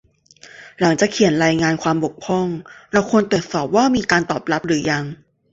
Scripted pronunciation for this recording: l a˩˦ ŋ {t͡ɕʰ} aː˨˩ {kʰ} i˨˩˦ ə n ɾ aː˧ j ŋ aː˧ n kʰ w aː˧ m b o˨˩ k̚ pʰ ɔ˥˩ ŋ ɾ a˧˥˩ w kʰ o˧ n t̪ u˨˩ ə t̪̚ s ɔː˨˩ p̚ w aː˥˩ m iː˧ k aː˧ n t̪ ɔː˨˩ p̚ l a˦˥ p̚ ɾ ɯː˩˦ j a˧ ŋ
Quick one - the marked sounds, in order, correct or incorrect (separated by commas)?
incorrect, correct